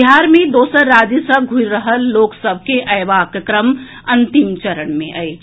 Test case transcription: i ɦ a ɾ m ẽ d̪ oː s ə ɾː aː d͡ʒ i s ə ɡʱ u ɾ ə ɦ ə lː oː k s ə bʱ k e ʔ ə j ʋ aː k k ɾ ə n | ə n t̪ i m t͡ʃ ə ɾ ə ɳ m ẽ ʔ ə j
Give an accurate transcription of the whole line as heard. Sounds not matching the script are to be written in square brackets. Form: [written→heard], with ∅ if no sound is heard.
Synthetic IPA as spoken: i ɦ a ɾ m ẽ d̪ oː s ə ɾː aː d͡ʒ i s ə ɡʱ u ɾ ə ɦ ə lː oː k s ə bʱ k e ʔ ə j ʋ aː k k ɾ ə [n→m] | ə n t̪ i m t͡ʃ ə ɾ ə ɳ m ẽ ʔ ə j